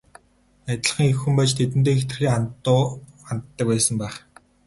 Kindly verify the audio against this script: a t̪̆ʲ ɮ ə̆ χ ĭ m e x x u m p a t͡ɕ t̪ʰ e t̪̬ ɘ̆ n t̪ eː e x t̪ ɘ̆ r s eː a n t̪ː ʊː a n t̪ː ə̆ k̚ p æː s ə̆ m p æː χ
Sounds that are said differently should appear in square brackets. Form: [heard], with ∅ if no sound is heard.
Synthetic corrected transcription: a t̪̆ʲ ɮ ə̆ χ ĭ [ŋ] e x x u m p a t͡ɕ t̪ʰ e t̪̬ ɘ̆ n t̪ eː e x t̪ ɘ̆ r [x] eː a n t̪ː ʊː a n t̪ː ə̆ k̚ p æː s ə̆ m p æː χ